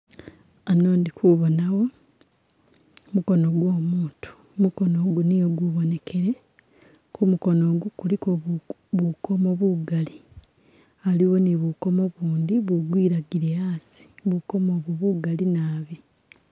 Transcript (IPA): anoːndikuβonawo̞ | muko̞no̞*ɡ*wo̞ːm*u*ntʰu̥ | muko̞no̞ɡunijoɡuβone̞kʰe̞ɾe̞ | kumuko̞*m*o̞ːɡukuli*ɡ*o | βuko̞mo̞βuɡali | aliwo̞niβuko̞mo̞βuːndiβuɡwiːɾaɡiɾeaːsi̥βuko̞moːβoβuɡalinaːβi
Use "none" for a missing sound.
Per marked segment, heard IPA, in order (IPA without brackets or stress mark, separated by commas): ɡ, uː, n, k